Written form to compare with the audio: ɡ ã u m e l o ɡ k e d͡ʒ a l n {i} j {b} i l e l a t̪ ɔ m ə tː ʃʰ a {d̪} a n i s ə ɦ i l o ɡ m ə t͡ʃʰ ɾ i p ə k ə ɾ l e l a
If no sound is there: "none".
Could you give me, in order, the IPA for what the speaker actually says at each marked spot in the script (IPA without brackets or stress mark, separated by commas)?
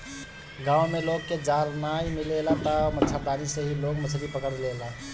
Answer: a, m, d̪